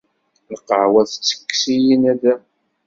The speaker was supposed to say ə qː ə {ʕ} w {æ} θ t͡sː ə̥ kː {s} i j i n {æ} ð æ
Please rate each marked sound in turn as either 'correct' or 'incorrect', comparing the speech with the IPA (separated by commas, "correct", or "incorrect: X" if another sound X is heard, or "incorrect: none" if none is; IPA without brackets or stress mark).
correct, correct, correct, correct